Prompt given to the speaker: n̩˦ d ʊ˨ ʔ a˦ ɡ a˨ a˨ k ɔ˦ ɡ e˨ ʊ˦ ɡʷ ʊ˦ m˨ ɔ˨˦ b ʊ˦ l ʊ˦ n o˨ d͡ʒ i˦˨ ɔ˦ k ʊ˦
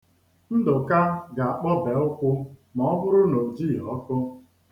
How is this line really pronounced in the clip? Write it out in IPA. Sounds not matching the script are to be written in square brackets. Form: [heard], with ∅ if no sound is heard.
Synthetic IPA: n̩˦ d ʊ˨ [k] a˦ ɡ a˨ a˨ [k͡p] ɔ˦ [b] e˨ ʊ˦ [kʷ] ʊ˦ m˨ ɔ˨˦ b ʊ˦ [ɾ] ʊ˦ n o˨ d͡ʒ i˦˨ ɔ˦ k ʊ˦